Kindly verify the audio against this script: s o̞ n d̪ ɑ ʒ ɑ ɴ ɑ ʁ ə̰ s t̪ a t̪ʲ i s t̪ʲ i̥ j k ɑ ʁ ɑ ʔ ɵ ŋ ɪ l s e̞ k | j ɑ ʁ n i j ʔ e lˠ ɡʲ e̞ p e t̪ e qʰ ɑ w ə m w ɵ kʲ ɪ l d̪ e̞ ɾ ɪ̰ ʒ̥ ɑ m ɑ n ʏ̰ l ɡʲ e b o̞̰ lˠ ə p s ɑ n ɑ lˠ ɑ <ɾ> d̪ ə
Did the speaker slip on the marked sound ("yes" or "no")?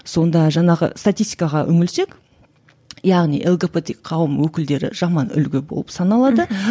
yes